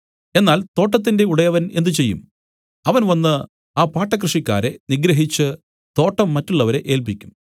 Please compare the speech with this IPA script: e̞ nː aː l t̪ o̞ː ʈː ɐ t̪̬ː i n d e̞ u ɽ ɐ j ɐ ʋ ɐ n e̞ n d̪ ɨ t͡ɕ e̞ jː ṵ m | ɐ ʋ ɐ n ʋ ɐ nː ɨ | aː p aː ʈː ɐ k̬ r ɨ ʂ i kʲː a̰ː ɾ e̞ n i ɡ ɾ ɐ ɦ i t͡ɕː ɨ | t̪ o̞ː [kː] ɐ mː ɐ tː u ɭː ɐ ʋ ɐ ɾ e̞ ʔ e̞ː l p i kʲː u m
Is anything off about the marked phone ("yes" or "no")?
yes